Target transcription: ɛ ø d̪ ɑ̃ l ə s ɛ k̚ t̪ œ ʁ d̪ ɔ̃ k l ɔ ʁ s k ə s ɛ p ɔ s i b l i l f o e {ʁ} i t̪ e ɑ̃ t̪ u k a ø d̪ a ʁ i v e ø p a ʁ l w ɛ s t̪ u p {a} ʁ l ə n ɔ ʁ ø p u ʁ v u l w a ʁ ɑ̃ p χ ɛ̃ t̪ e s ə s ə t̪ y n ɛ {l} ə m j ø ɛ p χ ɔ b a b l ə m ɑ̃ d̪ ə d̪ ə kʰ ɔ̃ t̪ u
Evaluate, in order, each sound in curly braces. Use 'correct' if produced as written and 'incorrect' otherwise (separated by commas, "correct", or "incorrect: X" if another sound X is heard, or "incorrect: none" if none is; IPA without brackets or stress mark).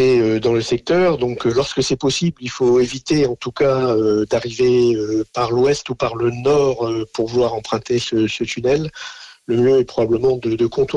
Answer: incorrect: v, correct, incorrect: lː